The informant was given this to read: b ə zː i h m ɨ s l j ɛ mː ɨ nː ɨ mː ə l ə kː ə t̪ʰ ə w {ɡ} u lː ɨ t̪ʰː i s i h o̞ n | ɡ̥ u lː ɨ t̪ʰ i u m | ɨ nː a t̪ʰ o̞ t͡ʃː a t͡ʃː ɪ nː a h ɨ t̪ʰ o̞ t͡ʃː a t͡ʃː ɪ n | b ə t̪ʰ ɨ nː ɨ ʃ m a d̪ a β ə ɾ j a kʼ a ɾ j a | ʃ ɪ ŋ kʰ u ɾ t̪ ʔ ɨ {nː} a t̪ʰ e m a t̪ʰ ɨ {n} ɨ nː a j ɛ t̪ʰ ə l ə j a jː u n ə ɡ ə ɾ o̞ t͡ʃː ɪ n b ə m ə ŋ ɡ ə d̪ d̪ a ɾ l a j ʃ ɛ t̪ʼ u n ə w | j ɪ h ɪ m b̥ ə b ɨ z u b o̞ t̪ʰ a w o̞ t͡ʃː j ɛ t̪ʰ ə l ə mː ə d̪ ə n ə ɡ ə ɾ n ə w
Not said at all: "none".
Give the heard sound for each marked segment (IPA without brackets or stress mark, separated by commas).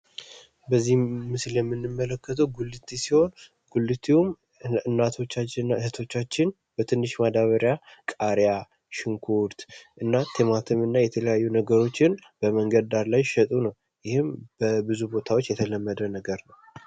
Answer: ɡ, nː, m